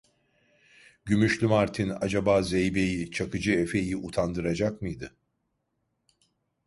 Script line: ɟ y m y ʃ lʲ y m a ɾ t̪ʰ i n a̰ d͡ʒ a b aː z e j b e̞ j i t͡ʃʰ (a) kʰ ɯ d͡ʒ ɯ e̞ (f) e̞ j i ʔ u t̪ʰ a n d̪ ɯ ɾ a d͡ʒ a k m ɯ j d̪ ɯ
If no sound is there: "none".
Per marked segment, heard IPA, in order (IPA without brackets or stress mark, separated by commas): a, f